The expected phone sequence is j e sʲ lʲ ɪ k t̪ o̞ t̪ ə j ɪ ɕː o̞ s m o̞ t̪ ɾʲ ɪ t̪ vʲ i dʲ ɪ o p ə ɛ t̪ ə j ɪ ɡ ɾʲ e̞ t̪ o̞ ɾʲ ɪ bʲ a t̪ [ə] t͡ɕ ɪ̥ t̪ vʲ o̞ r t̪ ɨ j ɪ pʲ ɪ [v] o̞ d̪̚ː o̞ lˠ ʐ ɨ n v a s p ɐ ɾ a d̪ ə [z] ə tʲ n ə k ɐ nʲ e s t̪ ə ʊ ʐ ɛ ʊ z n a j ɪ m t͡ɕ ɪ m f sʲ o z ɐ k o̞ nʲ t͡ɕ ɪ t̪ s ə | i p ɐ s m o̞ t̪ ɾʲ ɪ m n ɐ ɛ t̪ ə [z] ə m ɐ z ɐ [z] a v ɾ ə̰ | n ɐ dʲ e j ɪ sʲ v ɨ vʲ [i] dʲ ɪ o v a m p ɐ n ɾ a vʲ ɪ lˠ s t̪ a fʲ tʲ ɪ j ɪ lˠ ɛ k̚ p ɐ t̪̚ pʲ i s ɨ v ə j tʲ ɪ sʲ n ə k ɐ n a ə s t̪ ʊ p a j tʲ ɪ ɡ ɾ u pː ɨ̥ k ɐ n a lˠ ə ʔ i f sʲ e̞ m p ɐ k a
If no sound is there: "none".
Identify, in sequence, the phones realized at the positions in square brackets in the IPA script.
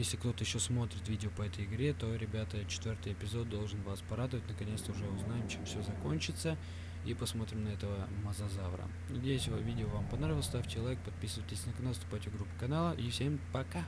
ə, z, v, v, z, i

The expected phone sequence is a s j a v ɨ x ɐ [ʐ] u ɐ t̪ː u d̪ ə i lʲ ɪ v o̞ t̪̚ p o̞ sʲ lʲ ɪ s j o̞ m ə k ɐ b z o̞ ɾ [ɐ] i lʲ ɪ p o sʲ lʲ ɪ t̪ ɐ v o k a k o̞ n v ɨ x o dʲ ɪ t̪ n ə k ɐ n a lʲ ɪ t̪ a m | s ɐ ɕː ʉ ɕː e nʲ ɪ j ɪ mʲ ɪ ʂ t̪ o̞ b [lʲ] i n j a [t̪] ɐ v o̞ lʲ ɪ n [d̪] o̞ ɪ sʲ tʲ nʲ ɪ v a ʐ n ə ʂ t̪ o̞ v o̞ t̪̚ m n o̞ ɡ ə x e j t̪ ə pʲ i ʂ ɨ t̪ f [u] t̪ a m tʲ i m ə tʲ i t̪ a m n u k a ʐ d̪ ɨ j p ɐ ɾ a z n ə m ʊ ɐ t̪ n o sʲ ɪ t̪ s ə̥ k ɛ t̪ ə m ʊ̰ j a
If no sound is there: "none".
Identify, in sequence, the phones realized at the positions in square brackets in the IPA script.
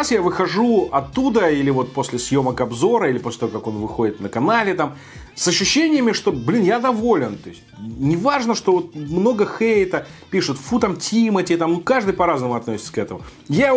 ʐ, ə, lʲ, d̪, t̪, u

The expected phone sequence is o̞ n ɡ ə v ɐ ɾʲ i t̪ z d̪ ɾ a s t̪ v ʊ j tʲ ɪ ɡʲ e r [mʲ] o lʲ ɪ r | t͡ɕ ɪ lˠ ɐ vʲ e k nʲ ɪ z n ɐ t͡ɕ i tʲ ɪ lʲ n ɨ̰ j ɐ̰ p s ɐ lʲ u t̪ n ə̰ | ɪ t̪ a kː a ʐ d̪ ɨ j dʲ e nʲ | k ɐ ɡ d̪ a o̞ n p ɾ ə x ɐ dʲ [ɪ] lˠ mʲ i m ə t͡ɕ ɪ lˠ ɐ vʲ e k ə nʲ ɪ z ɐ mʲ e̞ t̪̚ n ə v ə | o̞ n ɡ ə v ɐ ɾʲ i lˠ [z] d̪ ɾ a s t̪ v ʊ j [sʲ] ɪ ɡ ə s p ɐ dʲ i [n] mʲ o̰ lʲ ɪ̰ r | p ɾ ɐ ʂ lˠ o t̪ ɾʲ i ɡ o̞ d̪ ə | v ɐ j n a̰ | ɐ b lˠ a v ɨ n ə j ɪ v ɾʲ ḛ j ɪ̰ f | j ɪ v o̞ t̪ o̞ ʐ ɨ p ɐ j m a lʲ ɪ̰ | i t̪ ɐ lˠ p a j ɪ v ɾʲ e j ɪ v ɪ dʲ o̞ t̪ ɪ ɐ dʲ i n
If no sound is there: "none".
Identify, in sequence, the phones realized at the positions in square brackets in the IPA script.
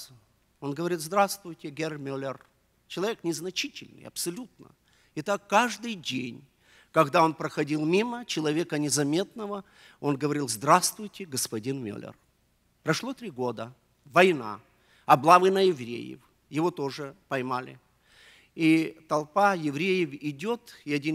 mʲ, i, z, tʲ, n

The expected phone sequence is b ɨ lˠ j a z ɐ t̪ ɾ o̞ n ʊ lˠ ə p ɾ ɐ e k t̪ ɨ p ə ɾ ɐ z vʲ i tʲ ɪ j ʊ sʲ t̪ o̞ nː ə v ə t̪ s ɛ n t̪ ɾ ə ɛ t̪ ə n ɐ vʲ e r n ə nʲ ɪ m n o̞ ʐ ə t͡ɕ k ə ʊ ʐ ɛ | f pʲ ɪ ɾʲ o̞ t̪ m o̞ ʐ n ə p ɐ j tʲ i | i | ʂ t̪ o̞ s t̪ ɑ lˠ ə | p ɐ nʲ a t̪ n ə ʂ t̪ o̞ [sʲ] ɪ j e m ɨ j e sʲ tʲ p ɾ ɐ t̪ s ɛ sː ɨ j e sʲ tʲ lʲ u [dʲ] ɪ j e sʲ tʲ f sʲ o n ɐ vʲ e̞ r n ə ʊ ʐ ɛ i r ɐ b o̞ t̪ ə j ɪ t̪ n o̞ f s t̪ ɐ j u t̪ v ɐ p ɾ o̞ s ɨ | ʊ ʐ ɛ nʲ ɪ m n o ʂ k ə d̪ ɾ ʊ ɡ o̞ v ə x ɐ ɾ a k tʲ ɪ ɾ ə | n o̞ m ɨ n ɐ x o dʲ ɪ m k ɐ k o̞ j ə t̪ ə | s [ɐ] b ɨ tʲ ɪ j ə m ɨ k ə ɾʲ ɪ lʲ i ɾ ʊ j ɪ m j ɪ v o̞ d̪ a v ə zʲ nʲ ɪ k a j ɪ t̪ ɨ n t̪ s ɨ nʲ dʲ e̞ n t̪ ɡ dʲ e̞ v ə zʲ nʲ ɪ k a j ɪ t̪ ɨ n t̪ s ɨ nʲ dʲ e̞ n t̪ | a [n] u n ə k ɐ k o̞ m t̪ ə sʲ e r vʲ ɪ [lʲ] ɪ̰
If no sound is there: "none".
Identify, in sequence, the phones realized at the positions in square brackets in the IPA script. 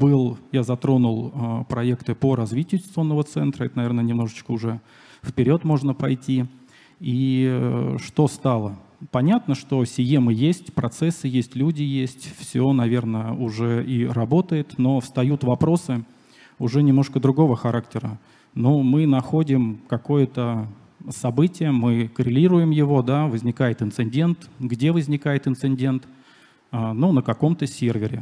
sʲ, dʲ, ɐ, n, ɾʲ

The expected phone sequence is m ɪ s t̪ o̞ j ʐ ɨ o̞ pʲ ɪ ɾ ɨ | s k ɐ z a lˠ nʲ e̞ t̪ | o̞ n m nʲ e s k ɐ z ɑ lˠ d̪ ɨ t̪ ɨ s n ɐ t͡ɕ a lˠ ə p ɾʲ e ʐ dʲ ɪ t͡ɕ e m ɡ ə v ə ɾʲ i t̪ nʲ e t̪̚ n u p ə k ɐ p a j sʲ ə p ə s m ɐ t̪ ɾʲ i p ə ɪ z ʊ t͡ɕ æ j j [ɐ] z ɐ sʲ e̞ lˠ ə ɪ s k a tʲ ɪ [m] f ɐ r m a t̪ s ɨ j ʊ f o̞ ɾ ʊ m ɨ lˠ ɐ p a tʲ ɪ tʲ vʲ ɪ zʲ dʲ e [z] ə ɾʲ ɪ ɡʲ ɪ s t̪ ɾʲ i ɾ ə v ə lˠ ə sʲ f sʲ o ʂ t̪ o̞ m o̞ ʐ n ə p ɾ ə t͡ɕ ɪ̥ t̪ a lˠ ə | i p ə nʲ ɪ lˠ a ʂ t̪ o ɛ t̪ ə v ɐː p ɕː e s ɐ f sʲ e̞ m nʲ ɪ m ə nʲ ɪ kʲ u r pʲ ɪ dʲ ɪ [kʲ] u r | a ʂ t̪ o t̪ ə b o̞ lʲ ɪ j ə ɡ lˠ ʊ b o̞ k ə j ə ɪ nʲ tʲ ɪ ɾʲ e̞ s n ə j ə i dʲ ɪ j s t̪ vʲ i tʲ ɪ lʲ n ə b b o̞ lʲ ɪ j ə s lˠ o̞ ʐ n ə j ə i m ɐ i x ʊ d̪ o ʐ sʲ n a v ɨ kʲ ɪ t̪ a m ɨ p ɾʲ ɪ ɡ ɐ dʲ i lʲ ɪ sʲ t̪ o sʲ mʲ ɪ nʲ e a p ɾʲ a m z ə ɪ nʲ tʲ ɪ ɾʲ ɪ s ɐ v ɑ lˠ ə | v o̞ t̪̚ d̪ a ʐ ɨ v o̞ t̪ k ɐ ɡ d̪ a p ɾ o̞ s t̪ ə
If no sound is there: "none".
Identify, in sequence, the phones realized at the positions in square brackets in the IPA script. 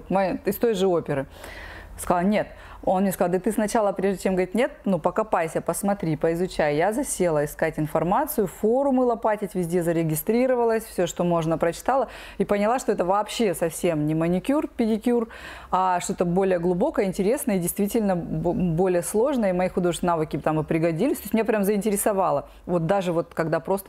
a, n, z, kʲ

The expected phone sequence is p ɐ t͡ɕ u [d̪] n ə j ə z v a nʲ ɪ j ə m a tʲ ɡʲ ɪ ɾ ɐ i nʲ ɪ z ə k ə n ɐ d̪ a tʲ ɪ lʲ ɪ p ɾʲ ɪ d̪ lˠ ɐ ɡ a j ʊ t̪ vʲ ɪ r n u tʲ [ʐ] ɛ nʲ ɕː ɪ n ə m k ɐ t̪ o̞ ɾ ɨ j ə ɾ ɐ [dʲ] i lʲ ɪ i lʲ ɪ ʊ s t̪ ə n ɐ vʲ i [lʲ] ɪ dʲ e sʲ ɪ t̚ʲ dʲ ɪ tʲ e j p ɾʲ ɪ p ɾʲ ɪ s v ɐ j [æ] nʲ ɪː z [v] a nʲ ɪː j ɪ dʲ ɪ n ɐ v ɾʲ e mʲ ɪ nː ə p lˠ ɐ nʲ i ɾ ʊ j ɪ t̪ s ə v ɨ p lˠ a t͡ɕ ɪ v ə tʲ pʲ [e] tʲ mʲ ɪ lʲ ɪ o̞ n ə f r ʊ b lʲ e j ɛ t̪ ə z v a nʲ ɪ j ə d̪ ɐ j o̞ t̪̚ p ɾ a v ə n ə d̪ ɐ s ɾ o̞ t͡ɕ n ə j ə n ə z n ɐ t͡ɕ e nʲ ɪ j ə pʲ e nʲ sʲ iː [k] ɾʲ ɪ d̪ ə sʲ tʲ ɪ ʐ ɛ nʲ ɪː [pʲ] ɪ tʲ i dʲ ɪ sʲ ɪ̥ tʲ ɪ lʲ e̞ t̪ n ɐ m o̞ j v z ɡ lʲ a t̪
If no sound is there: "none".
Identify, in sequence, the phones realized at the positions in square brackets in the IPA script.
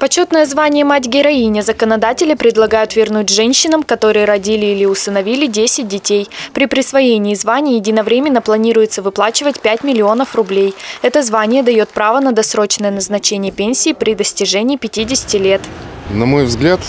t̪, ʐ, dʲ, lʲ, e, v, æ, p, pʲ

